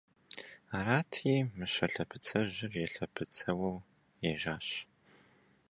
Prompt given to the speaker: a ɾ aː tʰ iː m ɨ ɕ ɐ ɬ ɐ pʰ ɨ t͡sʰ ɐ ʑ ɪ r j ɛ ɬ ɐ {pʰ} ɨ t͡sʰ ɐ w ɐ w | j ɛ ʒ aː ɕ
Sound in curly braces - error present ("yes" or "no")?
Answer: no